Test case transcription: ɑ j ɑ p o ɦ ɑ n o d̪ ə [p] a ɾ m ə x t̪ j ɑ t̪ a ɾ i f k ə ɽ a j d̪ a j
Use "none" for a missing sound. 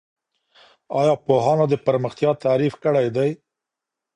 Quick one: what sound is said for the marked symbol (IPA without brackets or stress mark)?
p